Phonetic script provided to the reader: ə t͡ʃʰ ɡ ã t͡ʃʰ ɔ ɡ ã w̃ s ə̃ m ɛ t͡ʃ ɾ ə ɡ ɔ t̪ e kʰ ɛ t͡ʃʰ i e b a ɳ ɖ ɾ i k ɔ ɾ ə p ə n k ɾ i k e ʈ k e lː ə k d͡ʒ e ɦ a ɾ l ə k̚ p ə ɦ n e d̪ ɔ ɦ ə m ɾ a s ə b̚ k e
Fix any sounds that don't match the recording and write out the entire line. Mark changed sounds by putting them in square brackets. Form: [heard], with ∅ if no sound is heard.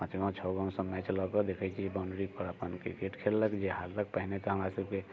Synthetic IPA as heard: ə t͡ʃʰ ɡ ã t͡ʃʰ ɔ ɡ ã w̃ s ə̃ m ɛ t͡ʃ [l] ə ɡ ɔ [d̪] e kʰ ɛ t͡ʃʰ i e b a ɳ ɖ ɾ i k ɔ ɾ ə p ə n k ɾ i k e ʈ [kʰ] e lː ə k d͡ʒ e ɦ a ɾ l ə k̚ p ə ɦ n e [t̪] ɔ ɦ ə m ɾ a s ə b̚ k e